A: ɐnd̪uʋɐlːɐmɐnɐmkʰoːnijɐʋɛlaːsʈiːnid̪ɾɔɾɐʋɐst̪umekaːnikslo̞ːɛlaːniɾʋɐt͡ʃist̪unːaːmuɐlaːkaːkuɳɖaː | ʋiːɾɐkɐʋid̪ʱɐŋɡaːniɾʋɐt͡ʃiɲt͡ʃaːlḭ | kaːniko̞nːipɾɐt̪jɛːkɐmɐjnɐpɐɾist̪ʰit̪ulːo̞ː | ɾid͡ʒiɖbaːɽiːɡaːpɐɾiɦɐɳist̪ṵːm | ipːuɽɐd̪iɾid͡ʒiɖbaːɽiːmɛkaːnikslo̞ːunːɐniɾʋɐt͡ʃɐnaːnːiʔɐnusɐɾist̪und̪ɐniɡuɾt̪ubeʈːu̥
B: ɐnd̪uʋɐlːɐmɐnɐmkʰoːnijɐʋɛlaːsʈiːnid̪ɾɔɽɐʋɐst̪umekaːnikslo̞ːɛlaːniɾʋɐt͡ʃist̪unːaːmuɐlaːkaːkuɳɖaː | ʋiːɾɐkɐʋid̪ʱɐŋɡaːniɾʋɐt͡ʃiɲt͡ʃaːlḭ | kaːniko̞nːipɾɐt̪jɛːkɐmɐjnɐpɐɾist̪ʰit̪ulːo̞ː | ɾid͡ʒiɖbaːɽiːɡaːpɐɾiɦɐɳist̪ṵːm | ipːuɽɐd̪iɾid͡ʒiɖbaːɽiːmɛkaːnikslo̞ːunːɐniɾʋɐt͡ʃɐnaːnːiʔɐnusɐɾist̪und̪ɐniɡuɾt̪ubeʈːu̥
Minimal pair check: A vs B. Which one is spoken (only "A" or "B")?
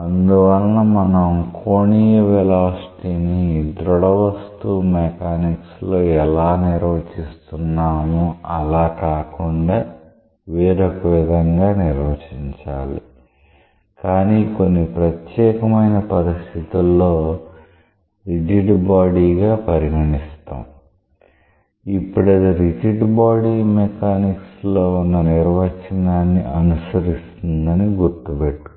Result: B